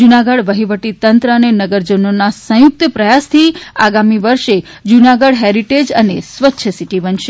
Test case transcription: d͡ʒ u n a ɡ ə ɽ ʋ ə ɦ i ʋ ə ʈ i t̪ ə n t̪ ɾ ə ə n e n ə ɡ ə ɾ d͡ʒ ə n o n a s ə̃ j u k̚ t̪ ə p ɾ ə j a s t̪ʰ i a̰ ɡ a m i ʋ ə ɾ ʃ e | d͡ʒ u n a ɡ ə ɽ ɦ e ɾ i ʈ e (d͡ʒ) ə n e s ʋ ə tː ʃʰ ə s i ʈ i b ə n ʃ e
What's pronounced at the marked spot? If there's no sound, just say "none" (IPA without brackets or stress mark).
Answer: d͡ʒ